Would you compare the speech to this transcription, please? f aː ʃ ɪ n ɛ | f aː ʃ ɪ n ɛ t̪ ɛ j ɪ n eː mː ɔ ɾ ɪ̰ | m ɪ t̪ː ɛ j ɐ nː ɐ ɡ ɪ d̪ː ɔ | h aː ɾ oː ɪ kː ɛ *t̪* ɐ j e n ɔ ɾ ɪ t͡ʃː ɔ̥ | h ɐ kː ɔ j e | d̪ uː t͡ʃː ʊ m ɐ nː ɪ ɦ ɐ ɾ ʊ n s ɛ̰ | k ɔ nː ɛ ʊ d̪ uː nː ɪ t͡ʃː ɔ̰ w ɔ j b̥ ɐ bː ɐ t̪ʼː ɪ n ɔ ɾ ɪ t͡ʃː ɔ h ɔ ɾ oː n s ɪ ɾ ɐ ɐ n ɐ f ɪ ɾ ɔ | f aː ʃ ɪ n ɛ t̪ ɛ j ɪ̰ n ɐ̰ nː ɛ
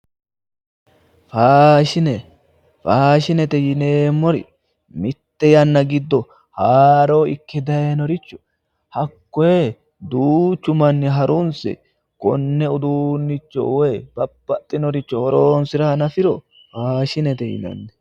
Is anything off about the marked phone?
yes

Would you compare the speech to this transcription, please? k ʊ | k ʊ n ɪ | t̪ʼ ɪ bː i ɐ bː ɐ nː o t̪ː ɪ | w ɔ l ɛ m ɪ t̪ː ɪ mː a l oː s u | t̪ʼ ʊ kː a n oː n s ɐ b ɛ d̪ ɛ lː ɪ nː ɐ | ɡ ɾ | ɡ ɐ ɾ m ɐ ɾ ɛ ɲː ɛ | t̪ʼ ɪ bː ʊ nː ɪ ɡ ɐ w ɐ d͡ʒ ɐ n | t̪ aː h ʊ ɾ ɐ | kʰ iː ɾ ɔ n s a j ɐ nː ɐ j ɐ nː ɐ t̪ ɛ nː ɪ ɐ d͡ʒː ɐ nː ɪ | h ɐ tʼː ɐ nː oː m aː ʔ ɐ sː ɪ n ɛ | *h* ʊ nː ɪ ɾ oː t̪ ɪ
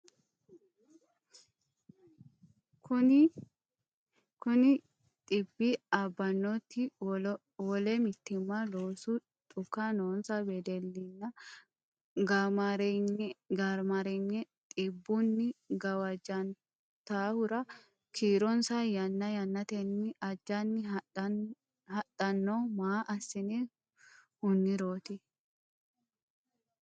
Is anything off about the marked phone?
no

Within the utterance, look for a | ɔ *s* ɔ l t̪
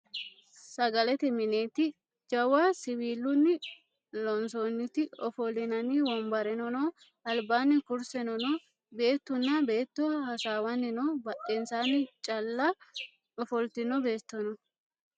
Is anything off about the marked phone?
yes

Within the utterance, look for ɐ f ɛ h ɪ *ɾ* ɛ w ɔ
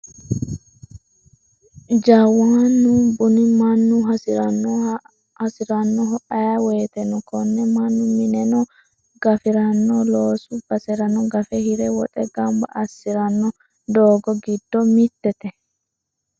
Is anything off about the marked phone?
no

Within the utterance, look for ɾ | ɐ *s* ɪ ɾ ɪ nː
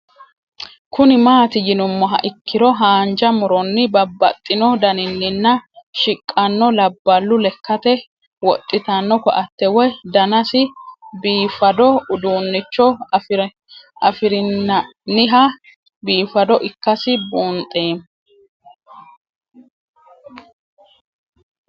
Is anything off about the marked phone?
yes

